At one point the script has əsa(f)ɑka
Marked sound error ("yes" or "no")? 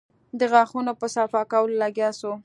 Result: no